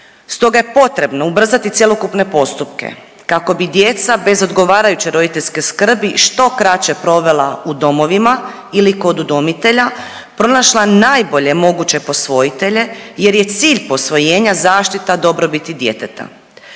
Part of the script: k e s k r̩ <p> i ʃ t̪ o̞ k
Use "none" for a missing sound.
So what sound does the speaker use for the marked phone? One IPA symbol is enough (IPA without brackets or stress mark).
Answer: b